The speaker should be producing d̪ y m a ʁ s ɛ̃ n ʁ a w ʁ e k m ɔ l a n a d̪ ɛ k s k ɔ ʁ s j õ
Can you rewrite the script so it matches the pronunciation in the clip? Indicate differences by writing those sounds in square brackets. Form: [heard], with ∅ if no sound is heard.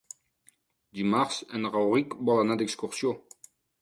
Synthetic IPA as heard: d̪ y m a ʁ s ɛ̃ n ʁ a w ʁ [i] k [b] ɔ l a n a d̪ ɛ k s k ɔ ʁ s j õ